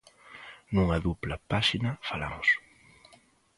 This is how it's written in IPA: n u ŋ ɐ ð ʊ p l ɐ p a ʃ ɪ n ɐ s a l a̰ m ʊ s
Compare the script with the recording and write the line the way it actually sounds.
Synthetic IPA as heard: n u ŋ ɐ ð u p l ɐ p a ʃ i n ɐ f a l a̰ m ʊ s